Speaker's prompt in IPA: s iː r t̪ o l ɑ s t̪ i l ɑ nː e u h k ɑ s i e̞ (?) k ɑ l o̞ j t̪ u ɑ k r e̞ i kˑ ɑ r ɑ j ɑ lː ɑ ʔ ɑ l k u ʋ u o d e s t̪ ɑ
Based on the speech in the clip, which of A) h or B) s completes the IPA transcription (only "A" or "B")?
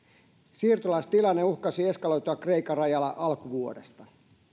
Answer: B